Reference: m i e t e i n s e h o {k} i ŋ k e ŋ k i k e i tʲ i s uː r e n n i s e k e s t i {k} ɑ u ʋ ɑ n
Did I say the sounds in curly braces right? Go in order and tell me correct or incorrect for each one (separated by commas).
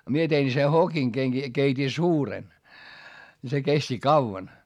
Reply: correct, correct